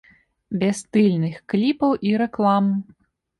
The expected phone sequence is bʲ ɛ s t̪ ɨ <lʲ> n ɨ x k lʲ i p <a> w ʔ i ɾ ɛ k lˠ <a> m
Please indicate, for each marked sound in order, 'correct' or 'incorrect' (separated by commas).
correct, incorrect, correct